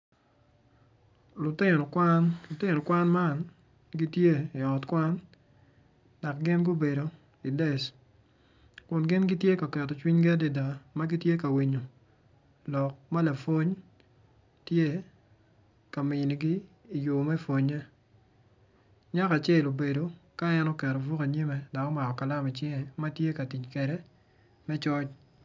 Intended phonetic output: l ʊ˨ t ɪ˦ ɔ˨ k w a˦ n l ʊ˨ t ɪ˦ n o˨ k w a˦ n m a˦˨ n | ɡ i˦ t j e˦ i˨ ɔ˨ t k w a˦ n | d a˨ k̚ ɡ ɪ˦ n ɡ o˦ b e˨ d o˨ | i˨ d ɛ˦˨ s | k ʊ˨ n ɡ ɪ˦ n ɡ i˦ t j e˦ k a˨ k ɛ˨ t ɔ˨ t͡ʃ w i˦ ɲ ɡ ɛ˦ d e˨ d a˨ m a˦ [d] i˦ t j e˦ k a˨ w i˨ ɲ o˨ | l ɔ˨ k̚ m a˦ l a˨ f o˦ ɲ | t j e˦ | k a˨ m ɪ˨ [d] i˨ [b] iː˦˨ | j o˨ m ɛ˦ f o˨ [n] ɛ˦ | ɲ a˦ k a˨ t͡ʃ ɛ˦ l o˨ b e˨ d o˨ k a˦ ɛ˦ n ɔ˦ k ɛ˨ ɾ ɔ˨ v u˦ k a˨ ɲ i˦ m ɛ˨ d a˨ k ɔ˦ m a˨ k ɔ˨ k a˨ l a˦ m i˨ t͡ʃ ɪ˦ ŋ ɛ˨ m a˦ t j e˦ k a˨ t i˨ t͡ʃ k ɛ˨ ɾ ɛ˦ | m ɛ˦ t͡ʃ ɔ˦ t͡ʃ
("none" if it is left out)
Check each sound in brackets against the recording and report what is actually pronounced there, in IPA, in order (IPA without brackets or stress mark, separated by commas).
ɡ, n, ɡ, ɲ